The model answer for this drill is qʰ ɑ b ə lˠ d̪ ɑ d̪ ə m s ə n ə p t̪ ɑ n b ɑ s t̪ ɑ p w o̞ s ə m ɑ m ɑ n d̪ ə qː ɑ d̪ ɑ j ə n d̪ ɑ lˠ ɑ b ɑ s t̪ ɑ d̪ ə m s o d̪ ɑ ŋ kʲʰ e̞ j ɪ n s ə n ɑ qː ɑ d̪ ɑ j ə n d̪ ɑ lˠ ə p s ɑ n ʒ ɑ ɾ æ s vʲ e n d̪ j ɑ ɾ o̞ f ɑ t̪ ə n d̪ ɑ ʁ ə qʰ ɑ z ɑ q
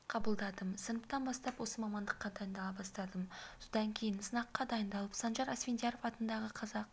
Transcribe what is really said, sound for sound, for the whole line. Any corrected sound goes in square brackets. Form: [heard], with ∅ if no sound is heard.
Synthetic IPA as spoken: qʰ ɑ b ə lˠ d̪ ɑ d̪ ə m s ə n ə p t̪ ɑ n b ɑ s t̪ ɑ p w o̞ s ə m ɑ m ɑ n d̪ ə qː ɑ d̪ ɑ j ə n d̪ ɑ lˠ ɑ b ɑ s t̪ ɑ d̪ ə m s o d̪ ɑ ŋ kʲʰ e̞ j ɪ n s ə n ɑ qː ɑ d̪ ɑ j ə n d̪ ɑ lˠ ə p s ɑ n ʒ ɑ ɾ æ s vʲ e n d̪ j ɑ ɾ o̞ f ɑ t̪ ə n d̪ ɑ ʁ ə qʰ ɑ z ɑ q